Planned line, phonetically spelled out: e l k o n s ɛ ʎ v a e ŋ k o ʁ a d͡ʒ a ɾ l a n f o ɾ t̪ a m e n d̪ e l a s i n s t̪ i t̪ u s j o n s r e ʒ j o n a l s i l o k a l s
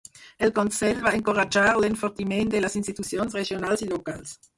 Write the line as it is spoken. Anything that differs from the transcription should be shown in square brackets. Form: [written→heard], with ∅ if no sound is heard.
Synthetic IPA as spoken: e l k o n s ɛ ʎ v a e ŋ k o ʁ a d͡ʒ a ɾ l [a→e] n f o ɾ t̪ [a→i] m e n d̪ e l a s i n s t̪ i t̪ u s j o n s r e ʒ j o n a l s i l o k a l s